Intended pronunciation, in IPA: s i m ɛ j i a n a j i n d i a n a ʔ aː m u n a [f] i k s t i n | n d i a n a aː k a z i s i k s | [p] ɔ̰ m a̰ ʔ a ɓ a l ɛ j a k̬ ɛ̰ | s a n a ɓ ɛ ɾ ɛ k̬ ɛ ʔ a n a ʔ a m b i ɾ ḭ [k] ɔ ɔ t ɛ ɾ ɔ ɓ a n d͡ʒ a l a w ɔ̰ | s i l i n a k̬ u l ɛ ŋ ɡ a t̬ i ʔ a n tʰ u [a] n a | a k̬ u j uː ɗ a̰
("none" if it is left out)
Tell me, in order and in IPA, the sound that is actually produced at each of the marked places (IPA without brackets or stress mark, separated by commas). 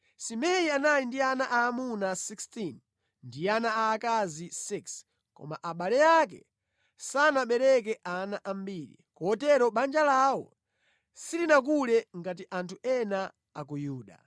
s, k, k, ɛ